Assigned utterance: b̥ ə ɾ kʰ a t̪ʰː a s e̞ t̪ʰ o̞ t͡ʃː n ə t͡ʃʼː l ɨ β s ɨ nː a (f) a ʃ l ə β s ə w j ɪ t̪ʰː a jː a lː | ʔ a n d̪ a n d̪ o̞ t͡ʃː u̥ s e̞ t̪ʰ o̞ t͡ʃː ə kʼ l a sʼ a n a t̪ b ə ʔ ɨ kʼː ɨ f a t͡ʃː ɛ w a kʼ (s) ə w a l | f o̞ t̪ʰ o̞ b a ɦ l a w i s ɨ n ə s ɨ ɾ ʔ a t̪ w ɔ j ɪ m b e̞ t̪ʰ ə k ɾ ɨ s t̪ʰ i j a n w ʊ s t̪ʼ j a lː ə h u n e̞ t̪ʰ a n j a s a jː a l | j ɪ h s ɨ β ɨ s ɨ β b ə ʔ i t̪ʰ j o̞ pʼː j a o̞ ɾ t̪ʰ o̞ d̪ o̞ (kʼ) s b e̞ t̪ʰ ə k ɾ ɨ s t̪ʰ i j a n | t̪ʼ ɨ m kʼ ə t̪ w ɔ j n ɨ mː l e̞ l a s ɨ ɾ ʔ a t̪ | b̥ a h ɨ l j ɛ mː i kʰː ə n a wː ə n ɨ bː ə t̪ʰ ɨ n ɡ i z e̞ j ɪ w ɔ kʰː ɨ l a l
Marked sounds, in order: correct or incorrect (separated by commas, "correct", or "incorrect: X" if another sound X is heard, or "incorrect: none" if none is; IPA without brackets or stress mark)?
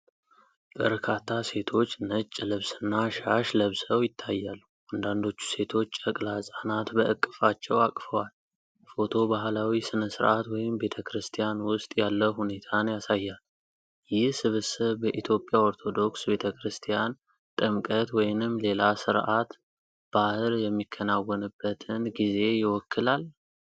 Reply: incorrect: ʃ, incorrect: f, incorrect: k